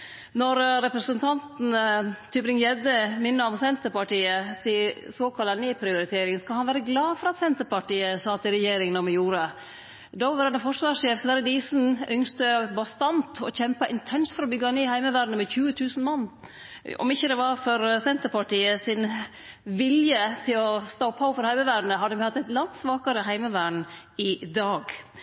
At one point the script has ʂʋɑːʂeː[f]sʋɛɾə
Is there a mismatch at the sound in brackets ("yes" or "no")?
no